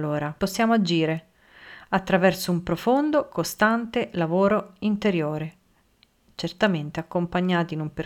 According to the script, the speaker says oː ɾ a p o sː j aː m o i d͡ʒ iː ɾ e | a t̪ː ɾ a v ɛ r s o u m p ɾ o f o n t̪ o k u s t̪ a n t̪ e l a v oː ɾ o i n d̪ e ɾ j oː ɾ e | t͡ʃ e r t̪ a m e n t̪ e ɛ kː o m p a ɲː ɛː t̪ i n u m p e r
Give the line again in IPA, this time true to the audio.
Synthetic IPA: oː ɾ a p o sː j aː m o a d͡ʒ iː ɾ e | a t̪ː ɾ a v ɛ r s o u m p ɾ o f o n d̪ o k o s t̪ a n t̪ e l a v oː ɾ o i n t̪ e ɾ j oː ɾ e | t͡ʃ e r t̪ a m e n t̪ e a kː o m p a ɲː aː t̪ i n u m p e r